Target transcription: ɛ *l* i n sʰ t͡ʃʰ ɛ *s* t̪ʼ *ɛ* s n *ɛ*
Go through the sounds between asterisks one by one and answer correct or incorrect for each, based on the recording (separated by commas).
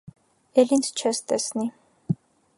correct, correct, correct, incorrect